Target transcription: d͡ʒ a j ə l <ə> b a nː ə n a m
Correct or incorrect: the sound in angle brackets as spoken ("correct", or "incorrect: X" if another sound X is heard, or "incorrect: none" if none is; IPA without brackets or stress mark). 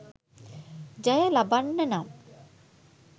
incorrect: a